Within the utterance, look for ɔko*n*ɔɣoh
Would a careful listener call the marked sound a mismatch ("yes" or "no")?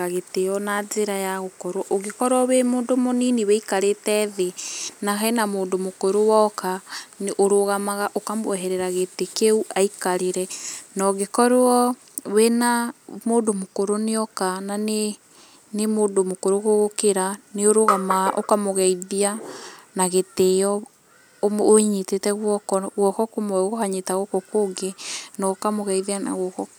yes